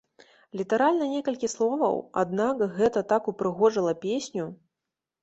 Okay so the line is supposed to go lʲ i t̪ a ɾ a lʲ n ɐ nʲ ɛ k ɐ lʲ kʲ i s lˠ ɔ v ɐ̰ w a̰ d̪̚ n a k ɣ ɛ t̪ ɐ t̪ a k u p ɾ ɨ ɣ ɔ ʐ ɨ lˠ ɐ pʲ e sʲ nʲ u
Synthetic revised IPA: lʲ i t̪ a ɾ a lʲ n ɐ nʲ ɛ k ɐ lʲ kʲ i s lˠ ɔ v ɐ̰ w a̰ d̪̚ n a k ɣ ɛ t̪ ɐ t̪ a k u p ɾ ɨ ɣ ɔ ʐ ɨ lˠ ɐ pʲ e sʲ nʲ u